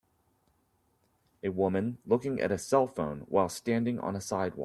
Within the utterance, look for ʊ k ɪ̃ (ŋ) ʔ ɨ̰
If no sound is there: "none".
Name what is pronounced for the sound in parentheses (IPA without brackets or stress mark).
ŋ